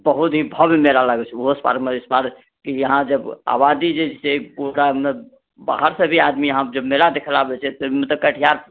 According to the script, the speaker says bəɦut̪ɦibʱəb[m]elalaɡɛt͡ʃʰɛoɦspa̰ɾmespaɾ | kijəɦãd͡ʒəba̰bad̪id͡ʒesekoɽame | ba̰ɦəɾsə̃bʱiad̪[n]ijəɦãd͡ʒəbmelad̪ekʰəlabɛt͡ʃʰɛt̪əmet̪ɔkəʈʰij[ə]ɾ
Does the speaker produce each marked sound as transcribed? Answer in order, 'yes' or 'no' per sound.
yes, no, no

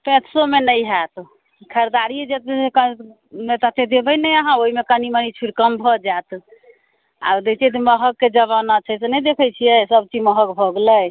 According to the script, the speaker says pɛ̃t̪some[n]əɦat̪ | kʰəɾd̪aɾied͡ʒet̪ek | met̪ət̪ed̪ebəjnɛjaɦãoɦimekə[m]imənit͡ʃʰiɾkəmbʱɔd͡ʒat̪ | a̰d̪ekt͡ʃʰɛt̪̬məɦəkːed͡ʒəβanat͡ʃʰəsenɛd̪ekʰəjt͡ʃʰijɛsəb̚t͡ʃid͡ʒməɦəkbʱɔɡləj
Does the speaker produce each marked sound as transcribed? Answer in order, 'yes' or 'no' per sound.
yes, no

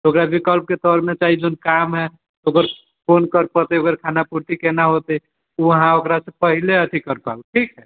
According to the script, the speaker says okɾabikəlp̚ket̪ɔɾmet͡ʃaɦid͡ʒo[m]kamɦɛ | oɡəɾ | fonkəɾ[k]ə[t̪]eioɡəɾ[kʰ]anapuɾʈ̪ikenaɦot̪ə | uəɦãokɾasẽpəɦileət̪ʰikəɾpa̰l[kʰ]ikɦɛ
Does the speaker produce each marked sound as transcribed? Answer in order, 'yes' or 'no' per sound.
no, no, yes, yes, no

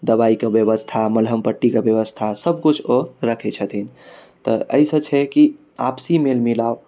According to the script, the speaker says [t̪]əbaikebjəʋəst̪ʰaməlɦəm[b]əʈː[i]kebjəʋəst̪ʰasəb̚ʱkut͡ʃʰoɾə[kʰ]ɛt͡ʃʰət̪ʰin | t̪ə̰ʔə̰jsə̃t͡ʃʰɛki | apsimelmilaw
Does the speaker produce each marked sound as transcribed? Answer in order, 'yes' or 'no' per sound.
no, no, yes, yes

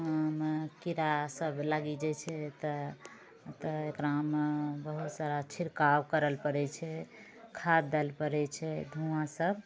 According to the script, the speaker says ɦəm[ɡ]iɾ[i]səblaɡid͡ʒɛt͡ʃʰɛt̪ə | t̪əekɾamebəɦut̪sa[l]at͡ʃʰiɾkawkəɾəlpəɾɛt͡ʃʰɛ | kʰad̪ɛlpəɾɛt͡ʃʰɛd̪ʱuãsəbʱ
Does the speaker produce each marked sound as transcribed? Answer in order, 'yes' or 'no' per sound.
no, no, no

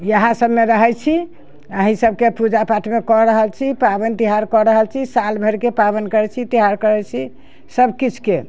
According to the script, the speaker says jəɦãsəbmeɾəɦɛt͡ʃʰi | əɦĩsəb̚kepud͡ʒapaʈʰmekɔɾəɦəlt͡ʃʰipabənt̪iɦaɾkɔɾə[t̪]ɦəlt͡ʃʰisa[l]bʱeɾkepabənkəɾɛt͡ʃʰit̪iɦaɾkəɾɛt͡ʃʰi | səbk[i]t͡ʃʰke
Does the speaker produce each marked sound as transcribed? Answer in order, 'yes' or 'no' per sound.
no, yes, yes

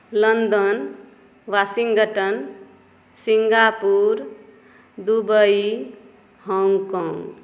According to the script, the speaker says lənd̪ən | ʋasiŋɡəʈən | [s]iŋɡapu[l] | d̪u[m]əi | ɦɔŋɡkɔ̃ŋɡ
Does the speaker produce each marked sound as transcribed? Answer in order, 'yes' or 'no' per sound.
yes, no, no

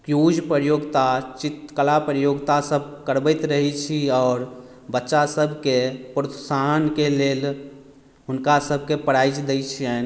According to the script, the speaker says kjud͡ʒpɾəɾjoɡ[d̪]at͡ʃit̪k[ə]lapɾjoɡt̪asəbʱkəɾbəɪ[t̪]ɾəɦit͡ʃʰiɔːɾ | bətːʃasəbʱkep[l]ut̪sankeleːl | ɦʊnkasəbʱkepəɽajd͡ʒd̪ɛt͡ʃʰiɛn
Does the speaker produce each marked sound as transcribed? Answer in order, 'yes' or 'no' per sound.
no, yes, yes, no

